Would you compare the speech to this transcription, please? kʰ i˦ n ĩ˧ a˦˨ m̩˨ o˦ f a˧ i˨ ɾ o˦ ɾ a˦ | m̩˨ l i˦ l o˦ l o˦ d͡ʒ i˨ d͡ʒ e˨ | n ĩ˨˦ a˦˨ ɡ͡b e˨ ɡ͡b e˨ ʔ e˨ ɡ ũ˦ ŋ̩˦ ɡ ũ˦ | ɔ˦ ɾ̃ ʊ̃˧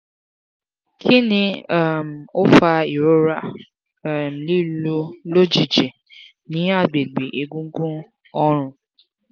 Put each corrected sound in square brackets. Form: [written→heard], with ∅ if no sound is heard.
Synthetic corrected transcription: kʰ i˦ n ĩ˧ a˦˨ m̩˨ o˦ f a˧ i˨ ɾ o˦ ɾ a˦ | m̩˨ l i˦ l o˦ l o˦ d͡ʒ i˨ d͡ʒ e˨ | n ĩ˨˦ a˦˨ ɡ͡b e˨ ɡ͡b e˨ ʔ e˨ ɡ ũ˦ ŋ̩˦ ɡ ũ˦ | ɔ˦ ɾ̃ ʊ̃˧